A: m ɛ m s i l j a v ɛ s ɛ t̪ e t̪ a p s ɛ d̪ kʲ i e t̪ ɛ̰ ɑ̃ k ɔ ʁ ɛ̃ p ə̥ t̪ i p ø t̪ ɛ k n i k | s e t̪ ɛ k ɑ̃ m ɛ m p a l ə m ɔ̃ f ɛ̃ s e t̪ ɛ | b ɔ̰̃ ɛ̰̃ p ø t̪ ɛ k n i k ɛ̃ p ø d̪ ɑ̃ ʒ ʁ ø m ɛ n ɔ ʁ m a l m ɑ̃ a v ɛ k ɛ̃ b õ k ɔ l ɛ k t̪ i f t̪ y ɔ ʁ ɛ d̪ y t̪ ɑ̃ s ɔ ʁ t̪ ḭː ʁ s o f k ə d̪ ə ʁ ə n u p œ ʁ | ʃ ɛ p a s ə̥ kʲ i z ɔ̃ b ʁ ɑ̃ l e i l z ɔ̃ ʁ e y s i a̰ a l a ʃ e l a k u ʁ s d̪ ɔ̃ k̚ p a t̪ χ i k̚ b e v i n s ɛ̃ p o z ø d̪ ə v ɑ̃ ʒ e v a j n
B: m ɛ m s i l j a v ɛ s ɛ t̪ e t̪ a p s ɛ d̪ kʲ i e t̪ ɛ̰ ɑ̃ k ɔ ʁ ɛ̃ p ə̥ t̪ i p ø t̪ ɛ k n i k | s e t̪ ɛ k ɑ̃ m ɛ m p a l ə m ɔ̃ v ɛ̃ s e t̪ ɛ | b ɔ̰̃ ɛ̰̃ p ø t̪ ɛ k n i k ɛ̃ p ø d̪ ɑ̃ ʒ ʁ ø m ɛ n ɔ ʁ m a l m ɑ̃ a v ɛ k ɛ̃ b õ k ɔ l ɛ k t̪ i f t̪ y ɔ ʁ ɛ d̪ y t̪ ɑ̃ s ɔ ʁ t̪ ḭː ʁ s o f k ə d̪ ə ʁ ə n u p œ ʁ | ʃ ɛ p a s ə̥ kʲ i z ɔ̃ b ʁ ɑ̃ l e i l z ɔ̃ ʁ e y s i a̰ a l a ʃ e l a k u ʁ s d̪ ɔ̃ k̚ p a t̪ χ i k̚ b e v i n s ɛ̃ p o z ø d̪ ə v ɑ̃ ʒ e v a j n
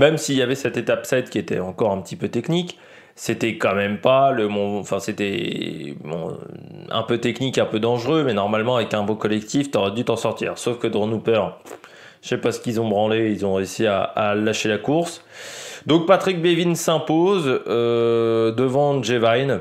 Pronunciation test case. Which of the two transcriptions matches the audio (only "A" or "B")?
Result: A